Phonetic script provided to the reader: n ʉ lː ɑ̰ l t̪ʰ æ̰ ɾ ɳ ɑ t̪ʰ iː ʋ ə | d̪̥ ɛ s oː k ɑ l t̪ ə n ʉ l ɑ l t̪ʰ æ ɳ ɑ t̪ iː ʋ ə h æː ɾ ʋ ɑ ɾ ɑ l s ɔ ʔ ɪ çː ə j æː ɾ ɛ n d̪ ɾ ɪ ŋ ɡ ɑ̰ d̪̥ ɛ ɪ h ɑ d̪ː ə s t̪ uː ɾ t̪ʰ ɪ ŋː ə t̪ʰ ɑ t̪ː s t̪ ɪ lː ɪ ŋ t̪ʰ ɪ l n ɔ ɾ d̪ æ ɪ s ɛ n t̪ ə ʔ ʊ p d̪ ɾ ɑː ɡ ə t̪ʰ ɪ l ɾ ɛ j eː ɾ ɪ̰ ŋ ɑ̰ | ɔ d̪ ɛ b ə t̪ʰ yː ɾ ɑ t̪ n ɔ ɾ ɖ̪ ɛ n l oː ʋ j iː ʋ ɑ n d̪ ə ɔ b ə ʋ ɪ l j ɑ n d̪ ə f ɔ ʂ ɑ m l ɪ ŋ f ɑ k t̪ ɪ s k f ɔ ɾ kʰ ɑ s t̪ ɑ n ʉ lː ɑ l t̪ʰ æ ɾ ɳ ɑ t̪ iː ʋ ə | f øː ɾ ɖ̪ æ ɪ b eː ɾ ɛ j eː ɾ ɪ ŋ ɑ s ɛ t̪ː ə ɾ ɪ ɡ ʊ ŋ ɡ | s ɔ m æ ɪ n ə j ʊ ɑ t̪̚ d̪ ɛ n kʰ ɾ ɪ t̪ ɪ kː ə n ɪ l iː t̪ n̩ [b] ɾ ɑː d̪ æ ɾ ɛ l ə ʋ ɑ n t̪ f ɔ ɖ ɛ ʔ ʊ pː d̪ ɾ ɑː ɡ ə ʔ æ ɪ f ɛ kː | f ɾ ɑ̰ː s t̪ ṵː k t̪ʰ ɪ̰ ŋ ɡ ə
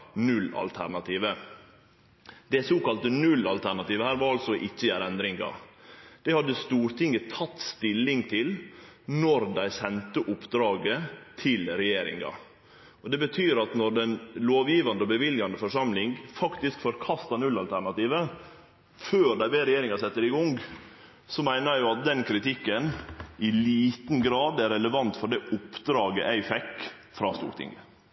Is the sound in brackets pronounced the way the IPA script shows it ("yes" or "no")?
no